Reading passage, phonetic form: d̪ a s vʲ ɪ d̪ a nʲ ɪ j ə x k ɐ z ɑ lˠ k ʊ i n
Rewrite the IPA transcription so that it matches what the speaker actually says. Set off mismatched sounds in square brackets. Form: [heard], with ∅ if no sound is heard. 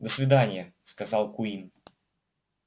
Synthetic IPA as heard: d̪ [ə] s vʲ ɪ d̪ a nʲ ɪ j ə [s] k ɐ z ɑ lˠ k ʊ i n